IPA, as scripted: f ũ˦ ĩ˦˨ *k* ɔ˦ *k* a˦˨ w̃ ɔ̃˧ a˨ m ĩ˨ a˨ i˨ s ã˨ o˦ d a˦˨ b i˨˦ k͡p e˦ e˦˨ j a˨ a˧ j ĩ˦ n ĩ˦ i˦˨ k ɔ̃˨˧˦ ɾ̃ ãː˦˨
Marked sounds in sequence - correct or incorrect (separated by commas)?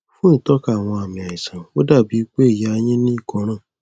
incorrect, correct